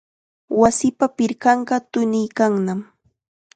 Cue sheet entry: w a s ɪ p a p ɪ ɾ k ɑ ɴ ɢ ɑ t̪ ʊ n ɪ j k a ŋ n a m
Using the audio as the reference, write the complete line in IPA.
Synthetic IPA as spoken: w a s ɪ p a p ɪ ɾ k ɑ ɴ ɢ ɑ t̪ ʊ n ɪ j k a ŋ n a m

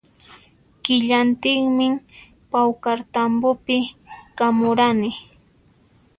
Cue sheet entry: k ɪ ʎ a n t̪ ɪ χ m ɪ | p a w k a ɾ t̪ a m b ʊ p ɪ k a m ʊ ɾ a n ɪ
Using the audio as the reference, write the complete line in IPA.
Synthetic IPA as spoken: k ɪ ʎ a n t̪ ɪ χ m ɪ | p a w k a ɾ t̪ a m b ʊ p ɪ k a m ʊ ɾ a n ɪ

